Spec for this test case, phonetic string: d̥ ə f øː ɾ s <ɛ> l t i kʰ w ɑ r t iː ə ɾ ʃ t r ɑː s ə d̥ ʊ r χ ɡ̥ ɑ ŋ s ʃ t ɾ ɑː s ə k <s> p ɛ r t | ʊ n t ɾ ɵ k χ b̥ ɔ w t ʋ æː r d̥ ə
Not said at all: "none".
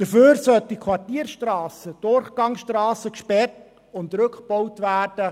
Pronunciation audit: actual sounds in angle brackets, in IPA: œ, ʃ

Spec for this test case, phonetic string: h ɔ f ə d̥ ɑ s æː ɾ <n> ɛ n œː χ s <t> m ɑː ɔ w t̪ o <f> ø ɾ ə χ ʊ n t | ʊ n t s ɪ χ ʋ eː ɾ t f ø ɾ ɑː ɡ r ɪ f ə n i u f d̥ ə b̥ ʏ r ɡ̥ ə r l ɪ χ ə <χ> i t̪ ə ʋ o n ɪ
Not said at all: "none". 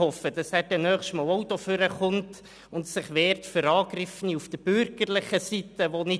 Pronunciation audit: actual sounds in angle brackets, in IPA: d, t, f, s

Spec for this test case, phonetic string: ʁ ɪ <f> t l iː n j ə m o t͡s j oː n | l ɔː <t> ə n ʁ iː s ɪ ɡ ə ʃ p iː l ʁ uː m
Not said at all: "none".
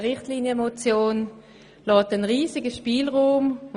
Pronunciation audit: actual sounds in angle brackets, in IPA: χ, t

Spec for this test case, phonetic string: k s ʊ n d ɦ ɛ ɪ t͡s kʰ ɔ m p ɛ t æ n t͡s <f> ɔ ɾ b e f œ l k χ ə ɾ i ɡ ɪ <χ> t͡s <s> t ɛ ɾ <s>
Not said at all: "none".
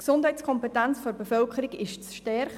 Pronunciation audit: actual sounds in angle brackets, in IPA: f, ʃ, ʃ, χ

